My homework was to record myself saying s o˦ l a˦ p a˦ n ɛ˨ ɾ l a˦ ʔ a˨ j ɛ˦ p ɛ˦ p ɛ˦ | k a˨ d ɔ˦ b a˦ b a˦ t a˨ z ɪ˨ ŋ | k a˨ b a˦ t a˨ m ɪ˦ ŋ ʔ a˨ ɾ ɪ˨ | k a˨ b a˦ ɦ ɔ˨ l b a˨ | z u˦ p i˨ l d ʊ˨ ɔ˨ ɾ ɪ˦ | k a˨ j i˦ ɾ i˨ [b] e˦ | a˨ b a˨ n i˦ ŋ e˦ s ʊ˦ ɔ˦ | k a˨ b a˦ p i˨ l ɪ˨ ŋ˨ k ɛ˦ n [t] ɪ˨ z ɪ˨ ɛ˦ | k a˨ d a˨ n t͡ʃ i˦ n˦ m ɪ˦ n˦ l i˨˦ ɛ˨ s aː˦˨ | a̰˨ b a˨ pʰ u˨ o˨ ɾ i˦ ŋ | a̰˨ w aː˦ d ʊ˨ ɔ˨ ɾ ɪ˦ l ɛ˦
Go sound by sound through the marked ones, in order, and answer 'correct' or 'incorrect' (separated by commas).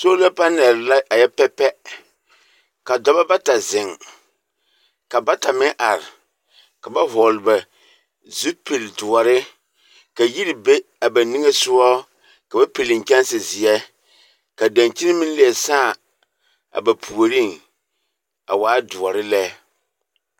correct, incorrect